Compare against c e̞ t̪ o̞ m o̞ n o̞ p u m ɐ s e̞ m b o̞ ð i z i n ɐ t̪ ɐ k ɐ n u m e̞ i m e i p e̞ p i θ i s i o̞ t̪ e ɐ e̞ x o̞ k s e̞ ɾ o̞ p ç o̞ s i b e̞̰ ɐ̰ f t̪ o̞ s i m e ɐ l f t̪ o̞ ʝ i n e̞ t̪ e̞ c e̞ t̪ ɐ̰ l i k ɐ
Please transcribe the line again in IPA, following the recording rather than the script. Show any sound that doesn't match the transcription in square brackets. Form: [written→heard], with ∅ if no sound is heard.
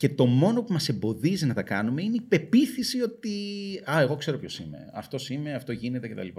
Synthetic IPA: c e̞ t̪ o̞ m o̞ n o̞ p u m ɐ s e̞ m b o̞ ð i z i n ɐ t̪ ɐ k ɐ n u m e̞ i [m→n] e i p e̞ p i θ i s i o̞ t̪ [e→i] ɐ e̞ [x→ɣ] o̞ k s e̞ ɾ o̞ p ç o̞ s i [b→m] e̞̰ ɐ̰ f t̪ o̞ s i m e ɐ [l→∅] f t̪ o̞ ʝ i n e̞ t̪ e̞ c e̞ t̪ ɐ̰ l i [k→p] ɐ